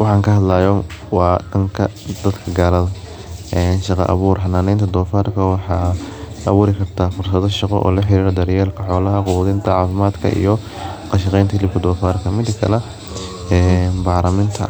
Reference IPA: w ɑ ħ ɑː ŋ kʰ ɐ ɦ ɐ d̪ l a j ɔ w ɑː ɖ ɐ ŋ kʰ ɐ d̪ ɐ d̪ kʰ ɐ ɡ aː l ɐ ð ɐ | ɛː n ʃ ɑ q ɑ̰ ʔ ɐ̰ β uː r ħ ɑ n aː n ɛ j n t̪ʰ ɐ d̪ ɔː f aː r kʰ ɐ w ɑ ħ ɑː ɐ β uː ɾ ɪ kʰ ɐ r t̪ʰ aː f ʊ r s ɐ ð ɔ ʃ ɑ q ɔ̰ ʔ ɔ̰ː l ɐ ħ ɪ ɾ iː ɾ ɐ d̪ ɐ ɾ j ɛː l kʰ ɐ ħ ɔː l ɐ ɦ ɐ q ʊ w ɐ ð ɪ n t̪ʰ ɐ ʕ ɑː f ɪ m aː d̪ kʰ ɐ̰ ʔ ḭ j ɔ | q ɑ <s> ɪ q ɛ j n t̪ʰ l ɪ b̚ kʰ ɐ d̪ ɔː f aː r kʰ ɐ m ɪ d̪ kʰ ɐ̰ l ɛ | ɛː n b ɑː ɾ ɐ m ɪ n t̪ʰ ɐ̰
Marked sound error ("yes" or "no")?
yes